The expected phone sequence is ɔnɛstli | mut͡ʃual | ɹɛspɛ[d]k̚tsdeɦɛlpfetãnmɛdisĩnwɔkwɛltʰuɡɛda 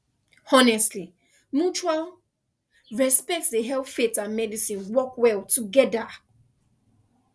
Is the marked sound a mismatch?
yes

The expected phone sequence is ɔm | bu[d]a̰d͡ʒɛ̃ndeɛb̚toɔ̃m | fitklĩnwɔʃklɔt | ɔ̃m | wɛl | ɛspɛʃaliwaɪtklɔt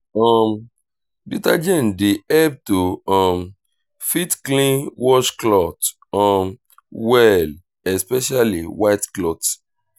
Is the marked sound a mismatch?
yes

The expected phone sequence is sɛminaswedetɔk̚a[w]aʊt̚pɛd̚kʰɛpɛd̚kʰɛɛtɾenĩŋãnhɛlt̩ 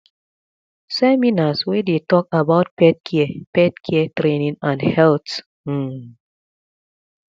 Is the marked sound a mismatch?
yes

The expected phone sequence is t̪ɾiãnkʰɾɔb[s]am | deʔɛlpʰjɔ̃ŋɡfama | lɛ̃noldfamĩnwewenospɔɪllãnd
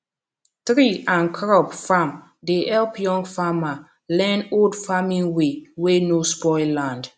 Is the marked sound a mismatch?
yes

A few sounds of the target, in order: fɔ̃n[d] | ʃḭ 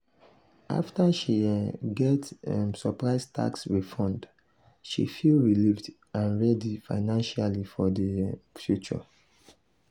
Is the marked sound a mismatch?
no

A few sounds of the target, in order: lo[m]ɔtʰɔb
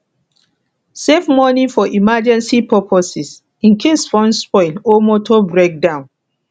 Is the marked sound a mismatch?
no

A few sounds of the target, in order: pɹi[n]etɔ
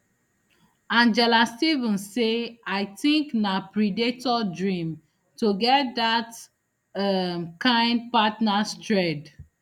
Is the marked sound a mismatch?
yes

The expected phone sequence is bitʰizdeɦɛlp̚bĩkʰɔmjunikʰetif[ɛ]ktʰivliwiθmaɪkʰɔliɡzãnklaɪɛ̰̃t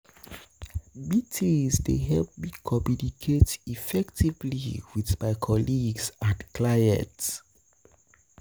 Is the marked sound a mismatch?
no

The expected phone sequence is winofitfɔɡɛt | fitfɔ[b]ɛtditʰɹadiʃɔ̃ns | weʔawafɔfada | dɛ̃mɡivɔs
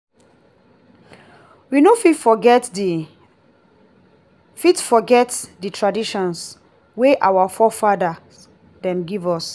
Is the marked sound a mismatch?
yes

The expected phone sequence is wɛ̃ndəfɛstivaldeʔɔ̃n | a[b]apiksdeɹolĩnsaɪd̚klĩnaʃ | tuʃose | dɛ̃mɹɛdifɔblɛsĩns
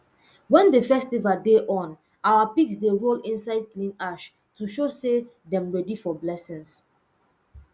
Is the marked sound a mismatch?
yes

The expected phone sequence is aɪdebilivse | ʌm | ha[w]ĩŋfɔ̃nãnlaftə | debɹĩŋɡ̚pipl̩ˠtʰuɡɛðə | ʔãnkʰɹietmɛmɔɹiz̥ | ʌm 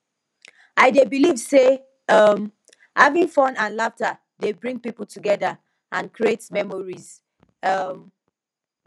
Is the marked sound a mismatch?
yes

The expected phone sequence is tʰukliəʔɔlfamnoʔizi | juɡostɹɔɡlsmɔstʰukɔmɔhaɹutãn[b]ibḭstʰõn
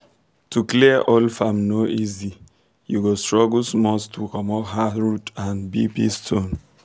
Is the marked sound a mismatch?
no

